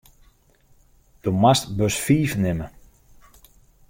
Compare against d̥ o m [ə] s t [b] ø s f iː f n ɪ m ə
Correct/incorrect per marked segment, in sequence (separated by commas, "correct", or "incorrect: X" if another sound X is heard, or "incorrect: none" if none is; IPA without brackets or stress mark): incorrect: a, correct